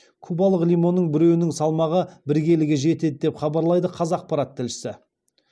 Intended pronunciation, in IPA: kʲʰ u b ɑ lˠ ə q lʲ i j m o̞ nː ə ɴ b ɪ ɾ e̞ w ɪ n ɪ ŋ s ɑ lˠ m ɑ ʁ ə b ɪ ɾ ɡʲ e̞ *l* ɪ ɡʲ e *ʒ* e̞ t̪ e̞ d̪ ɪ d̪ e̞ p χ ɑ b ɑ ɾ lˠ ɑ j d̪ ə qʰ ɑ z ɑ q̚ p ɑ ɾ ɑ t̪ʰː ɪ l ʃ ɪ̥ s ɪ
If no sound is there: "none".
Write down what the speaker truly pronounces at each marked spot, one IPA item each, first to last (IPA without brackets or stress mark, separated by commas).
l, ʒ